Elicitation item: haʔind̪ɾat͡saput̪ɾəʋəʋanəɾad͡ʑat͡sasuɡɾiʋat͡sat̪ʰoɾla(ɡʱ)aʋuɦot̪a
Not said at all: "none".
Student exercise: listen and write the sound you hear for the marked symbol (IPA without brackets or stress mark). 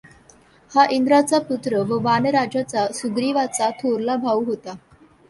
bʱ